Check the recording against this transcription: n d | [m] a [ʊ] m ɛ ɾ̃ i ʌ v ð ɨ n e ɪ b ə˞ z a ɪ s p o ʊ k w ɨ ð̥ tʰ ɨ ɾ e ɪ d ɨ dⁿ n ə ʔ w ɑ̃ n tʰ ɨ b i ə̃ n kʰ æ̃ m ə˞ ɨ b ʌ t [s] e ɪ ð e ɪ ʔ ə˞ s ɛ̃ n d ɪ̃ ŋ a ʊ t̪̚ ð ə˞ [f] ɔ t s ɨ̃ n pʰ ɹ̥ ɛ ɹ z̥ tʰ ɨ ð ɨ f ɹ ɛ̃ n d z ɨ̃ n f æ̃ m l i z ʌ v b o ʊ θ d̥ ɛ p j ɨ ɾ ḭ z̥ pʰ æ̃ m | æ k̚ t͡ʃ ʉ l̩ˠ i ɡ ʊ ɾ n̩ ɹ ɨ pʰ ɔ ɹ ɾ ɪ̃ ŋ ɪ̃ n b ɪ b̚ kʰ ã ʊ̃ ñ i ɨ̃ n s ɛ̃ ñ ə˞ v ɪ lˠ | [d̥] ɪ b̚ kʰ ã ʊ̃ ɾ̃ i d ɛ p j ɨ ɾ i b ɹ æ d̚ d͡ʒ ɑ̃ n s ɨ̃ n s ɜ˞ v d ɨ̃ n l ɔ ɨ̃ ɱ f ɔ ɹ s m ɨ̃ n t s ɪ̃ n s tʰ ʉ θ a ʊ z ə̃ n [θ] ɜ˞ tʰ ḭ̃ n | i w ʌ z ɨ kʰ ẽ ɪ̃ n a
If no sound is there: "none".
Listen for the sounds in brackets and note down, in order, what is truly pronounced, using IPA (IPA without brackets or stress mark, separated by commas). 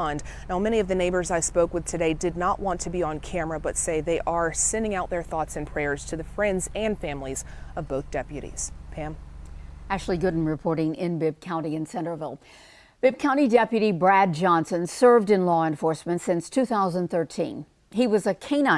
n, ʊ, s, θ, b̥, θ